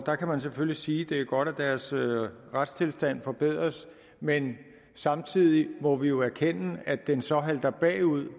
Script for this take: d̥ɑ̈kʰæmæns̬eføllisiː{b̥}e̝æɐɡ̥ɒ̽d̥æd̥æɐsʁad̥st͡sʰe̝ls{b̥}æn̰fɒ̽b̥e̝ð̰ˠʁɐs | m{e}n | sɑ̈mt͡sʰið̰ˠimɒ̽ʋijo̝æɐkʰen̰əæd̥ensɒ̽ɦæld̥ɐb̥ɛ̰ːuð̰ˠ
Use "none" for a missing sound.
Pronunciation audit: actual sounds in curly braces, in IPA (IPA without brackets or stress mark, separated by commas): d̥, d̥, e